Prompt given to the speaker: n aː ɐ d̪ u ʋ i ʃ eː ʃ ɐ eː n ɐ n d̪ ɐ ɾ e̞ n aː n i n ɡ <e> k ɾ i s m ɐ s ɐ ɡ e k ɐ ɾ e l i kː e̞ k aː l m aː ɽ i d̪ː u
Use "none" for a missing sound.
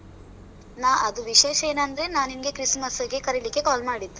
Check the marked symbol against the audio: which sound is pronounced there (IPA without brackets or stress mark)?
e